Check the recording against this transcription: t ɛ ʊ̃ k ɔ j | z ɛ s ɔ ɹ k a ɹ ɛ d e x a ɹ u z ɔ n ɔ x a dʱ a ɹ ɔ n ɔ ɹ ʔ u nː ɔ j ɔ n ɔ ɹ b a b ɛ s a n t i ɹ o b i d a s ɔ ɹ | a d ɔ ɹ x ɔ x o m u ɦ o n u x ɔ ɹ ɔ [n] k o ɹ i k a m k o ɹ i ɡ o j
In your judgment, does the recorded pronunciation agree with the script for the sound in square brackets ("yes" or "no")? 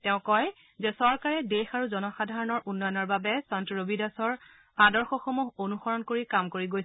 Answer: yes